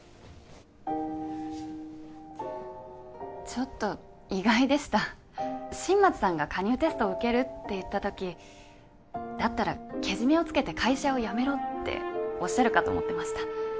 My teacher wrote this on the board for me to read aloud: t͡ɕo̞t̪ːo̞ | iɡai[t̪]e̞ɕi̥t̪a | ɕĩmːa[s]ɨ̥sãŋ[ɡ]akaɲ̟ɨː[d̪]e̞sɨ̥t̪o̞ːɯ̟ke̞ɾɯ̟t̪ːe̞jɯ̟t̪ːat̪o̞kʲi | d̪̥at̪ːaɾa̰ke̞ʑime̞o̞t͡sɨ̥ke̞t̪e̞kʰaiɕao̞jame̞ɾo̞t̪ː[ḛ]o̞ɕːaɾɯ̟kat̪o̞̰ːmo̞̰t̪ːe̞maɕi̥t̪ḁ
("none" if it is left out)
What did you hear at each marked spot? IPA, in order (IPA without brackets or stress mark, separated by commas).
d̪, t͡s, ɡ, t̪, ḛ